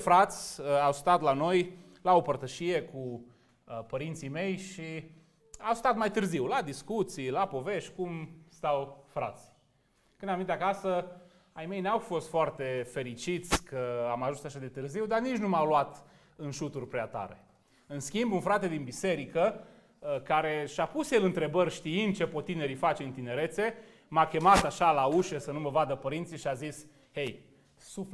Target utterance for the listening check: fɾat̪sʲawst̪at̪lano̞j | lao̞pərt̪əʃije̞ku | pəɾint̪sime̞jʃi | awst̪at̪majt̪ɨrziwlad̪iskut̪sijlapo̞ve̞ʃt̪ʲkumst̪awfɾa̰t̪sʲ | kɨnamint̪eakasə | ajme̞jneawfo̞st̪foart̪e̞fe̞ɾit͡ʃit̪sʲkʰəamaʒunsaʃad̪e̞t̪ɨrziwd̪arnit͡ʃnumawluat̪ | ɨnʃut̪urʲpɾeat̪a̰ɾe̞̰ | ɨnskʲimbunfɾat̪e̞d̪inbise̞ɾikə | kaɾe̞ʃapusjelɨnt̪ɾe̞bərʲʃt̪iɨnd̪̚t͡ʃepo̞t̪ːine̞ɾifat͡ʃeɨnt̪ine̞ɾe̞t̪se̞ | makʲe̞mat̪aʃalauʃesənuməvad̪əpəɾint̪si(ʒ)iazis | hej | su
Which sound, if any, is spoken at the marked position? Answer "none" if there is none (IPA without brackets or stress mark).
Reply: ʃ